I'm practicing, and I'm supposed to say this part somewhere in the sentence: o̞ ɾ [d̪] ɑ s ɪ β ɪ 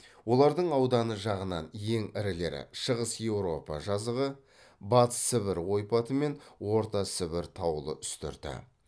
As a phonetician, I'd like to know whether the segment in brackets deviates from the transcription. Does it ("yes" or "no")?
yes